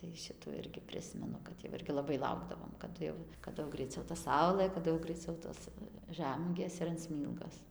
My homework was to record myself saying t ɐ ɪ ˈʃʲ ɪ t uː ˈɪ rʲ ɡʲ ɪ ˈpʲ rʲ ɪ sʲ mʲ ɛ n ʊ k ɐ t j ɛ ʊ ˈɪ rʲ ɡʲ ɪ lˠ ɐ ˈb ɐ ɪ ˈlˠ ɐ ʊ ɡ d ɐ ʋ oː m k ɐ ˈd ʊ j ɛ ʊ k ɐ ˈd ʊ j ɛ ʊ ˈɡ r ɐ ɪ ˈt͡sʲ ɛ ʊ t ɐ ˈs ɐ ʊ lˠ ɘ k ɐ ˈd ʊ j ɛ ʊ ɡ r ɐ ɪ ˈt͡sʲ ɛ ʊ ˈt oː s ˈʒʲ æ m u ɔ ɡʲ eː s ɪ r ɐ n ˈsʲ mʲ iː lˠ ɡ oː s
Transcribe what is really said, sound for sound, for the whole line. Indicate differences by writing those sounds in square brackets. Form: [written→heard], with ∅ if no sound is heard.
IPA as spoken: t ɐ ɪ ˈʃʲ ɪ t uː ˈɪ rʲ ɡʲ ɪ ˈpʲ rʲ ɪ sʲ mʲ ɛ n ʊ k ɐ t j ɛ ʊ ˈɪ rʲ ɡʲ ɪ lˠ ɐ ˈb ɐ ɪ ˈlˠ ɐ ʊ ɡ d ɐ ʋ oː m k ɐ ˈd ʊ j ɛ ʊ k ɐ ˈd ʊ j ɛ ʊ ˈɡ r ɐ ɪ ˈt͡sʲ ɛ ʊ t ɐ ˈs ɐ ʊ lˠ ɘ k ɐ ˈd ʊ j ɛ ʊ ɡ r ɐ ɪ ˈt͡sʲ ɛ ʊ ˈt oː s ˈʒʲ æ m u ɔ ɡʲ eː s ɪ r ɐ n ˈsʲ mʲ iː lˠ ɡ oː s

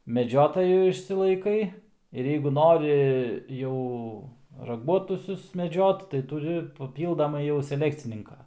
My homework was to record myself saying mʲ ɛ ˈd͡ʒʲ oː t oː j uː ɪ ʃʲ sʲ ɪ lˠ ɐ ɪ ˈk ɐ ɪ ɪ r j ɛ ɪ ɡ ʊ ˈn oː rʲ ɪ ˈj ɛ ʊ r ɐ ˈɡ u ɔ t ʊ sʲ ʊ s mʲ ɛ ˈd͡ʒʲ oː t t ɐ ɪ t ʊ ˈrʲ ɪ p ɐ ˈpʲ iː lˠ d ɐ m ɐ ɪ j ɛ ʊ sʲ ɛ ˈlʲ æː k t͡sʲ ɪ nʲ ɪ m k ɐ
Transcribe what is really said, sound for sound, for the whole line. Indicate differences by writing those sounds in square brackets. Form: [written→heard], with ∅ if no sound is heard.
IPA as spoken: mʲ ɛ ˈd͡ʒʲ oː t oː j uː ɪ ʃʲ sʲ ɪ lˠ ɐ ɪ ˈk ɐ ɪ ɪ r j ɛ ɪ ɡ ʊ ˈn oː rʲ ɪ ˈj ɛ ʊ r ɐ ˈɡ u ɔ t ʊ sʲ ʊ s mʲ ɛ ˈd͡ʒʲ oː t t ɐ ɪ t ʊ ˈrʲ ɪ p ɐ ˈpʲ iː lˠ d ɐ m ɐ ɪ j ɛ ʊ sʲ ɛ ˈlʲ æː k t͡sʲ ɪ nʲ ɪ [m→ŋ] k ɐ

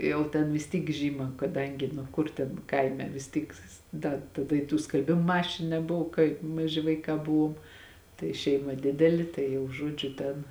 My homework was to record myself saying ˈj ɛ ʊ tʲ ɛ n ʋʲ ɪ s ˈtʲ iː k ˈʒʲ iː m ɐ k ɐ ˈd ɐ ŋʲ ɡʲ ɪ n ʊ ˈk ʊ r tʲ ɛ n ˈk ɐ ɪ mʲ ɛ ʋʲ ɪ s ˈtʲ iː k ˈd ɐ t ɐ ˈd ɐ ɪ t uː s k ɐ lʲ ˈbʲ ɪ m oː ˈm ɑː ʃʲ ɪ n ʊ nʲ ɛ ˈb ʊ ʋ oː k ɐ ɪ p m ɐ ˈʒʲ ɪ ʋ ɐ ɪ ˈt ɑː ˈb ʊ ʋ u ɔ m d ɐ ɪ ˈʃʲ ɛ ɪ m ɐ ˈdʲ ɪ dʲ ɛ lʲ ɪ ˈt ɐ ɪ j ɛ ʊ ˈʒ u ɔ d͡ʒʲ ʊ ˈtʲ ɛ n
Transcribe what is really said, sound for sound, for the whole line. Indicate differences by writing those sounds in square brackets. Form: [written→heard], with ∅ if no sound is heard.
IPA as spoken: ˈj ɛ ʊ tʲ ɛ n ʋʲ ɪ s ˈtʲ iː k ˈʒʲ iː m ɐ k ɐ ˈd ɐ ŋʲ ɡʲ ɪ n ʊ ˈk ʊ r tʲ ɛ n ˈk ɐ ɪ mʲ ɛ ʋʲ ɪ s ˈtʲ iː k ˈd ɐ t ɐ ˈd ɐ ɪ t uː s k ɐ lʲ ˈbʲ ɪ m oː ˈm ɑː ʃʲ ɪ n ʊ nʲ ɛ ˈb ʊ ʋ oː k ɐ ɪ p m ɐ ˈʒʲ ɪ ʋ ɐ ɪ [ˈt→ˈk] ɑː ˈb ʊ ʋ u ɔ m [d→t] ɐ ɪ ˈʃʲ ɛ ɪ m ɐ ˈdʲ ɪ dʲ ɛ lʲ ɪ ˈt ɐ ɪ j ɛ ʊ ˈʒ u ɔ d͡ʒʲ ʊ ˈtʲ ɛ n

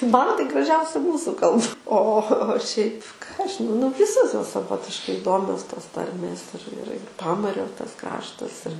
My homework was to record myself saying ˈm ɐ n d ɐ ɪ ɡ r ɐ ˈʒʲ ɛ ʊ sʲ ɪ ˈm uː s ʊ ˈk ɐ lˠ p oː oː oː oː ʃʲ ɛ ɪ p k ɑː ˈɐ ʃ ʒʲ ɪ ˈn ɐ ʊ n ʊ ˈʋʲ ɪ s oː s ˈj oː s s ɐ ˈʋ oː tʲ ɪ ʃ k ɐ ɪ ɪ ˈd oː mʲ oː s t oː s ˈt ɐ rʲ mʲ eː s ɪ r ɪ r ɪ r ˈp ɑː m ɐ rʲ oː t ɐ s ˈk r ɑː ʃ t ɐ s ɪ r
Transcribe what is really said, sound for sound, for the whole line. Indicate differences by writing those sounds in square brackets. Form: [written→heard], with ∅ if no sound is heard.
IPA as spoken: ˈm ɐ n [d→t] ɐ ɪ ɡ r ɐ ˈʒʲ ɛ ʊ sʲ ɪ ˈm uː s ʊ ˈk ɐ lˠ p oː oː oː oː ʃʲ ɛ ɪ p k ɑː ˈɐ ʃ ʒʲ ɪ ˈn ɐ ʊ n ʊ ˈʋʲ ɪ s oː s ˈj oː s s ɐ ˈʋ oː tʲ ɪ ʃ k ɐ ɪ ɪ ˈd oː mʲ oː s t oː s ˈt ɐ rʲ mʲ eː s ɪ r ɪ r ɪ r ˈp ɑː m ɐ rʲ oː t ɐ s ˈk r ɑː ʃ t ɐ s ɪ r

